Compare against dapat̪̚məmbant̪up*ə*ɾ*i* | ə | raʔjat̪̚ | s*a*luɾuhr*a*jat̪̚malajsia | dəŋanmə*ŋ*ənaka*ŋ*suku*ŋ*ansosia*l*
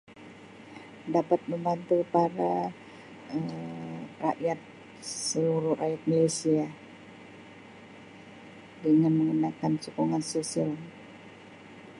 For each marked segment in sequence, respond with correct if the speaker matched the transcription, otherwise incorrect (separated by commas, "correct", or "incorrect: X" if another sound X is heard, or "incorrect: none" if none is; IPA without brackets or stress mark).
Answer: incorrect: a, incorrect: a, incorrect: ə, correct, correct, incorrect: n, correct, correct